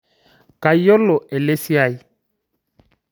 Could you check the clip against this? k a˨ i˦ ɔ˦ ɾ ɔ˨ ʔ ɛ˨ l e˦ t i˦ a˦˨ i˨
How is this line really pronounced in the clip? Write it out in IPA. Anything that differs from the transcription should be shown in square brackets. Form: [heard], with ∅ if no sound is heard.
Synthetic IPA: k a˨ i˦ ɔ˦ [l] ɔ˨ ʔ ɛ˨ l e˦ [s] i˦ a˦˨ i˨